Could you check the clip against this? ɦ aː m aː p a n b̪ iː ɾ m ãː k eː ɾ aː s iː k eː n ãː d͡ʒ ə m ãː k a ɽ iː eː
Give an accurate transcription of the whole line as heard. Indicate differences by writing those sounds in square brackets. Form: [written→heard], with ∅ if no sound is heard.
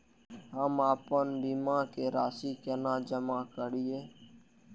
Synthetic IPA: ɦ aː m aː p [a→ə] n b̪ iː [ɾ→∅] m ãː k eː ɾ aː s iː k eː n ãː d͡ʒ ə m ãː k [a→ə] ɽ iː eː